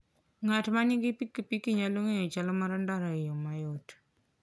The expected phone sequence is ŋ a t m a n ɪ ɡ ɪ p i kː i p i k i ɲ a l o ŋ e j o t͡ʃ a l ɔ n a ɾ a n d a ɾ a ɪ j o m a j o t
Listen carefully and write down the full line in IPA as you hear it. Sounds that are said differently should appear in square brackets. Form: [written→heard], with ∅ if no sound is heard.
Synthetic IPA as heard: ŋ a t m a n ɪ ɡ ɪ p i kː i p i k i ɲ a l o ŋ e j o t͡ʃ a l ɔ [n→m] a ɾ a n d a ɾ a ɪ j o m a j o t